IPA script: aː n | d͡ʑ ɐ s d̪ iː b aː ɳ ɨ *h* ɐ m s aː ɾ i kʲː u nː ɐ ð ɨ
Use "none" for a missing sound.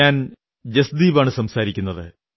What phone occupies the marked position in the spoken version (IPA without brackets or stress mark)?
s